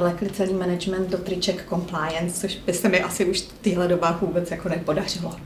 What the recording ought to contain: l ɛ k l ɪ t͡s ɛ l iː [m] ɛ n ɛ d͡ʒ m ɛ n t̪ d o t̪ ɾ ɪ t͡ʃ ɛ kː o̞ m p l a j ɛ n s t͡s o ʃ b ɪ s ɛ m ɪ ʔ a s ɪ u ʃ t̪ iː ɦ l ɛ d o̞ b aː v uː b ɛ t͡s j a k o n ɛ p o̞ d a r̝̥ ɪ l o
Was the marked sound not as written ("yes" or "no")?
no